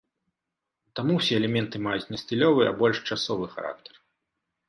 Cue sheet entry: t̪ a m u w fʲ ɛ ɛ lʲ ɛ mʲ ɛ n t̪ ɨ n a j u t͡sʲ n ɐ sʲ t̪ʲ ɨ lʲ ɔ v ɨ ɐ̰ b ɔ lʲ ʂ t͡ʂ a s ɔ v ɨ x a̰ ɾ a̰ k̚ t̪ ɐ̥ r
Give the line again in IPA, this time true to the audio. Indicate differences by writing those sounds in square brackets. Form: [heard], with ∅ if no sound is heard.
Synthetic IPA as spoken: t̪ a m u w [sʲ] ɛ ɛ lʲ ɛ mʲ ɛ n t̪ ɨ [m] a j u t͡sʲ n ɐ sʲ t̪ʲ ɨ lʲ ɔ v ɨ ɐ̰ b ɔ lʲ ʂ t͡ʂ a s ɔ v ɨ x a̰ ɾ a̰ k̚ t̪ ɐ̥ r